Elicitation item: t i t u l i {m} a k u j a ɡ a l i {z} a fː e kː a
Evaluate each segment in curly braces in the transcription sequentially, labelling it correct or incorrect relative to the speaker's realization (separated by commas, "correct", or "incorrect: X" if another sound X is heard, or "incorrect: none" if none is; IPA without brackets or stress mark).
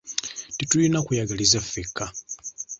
incorrect: n, correct